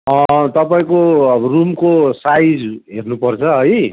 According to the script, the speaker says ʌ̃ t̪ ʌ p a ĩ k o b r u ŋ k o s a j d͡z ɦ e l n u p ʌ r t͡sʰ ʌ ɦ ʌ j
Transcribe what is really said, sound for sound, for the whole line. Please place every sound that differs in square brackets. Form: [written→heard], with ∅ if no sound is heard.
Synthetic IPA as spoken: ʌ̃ t̪ ʌ p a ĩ k o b r u [ŋ→m] k o s a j d͡z ɦ e [l→r] n u p ʌ r t͡sʰ ʌ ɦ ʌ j